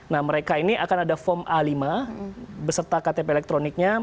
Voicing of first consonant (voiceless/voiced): voiced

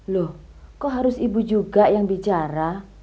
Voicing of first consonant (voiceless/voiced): voiced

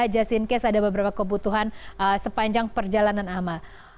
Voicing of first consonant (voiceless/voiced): voiced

